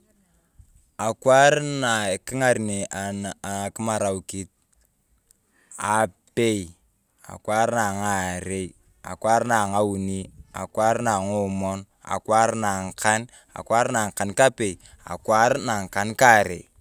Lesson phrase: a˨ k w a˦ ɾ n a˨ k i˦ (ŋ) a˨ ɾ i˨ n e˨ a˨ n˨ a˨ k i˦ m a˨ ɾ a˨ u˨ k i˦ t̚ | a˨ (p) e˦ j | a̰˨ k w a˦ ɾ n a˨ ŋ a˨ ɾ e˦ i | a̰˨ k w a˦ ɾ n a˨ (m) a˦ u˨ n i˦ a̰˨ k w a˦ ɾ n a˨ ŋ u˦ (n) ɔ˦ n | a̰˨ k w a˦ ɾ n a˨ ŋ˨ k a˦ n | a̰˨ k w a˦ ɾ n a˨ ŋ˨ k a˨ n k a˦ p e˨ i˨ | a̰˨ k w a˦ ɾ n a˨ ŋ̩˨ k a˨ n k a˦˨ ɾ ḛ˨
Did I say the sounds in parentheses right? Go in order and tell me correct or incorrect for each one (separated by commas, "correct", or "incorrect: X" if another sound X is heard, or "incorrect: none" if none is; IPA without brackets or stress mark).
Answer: correct, correct, incorrect: ŋ, incorrect: m